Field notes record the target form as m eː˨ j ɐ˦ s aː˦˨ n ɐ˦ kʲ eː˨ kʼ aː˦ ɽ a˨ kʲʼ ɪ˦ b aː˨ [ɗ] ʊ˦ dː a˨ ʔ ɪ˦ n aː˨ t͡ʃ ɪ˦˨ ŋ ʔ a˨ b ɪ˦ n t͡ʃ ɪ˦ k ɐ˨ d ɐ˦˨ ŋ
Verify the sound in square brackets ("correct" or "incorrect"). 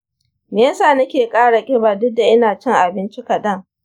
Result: incorrect